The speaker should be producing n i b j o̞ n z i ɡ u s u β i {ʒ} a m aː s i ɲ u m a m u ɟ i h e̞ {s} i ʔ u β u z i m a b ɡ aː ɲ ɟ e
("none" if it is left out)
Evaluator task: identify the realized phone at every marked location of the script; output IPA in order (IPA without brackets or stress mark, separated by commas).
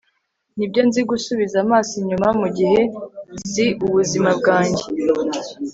z, z